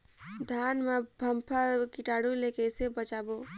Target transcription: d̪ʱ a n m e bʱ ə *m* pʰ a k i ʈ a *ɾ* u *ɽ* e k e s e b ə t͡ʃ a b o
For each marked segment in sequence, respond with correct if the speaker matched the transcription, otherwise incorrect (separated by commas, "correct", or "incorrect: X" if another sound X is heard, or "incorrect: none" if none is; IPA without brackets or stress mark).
correct, incorrect: ɽ, incorrect: l